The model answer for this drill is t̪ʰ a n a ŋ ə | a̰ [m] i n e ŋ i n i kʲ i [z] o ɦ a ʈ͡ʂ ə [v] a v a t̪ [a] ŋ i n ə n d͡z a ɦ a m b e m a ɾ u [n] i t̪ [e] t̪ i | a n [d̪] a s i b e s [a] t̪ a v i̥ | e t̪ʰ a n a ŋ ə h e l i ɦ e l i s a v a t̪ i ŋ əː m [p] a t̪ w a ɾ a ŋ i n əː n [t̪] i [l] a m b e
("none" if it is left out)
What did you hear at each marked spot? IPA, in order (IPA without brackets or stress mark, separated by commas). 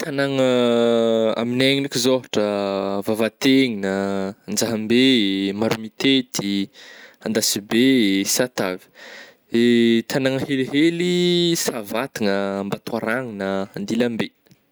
m, z, v, e, m, e, d̪, a, b, d̪, l